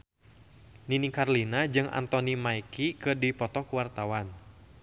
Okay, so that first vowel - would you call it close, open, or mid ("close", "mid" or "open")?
close